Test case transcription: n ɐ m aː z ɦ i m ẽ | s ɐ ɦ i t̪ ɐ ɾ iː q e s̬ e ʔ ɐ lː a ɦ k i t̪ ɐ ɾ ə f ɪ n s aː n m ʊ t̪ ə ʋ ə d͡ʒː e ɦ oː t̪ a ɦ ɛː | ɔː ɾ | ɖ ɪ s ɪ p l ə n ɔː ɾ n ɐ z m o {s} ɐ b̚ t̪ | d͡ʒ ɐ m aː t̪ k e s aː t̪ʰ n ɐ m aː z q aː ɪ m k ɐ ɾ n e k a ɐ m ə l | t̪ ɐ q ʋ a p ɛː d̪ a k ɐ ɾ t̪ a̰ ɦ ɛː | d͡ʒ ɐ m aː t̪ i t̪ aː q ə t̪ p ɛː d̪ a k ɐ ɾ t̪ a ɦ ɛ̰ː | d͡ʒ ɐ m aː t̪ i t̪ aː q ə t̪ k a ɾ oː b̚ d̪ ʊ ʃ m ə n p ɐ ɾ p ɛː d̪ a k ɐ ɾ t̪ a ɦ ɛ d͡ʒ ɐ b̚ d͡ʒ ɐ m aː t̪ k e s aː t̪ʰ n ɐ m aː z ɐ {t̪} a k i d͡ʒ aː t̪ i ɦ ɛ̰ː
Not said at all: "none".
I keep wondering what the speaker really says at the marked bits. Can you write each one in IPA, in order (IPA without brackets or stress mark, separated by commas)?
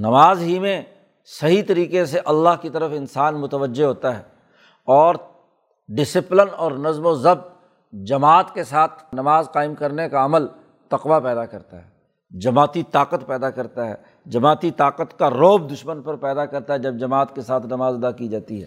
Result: z, d̪